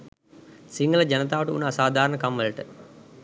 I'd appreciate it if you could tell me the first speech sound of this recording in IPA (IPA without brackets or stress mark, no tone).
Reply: s